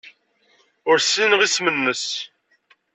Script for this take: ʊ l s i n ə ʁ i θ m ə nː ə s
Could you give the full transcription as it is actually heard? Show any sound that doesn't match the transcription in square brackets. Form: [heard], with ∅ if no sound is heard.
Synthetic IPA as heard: ʊ [ɾ] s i n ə ʁ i [s] m ə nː ə s